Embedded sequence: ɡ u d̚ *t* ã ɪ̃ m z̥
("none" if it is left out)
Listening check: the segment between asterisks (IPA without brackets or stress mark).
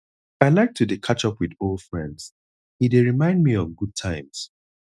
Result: tʰ